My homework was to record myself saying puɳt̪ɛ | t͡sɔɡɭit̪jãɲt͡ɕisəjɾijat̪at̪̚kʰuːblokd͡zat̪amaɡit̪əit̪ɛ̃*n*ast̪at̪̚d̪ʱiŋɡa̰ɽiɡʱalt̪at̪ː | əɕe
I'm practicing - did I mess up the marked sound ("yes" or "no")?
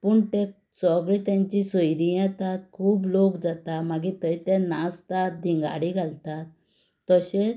no